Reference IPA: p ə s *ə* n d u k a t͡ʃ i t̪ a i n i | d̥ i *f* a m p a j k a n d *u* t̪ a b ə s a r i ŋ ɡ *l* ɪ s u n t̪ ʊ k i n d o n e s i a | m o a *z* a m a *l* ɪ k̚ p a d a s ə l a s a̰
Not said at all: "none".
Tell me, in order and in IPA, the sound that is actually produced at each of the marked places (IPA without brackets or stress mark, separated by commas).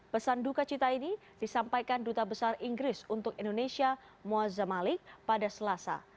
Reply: a, s, u, ɾ, z, l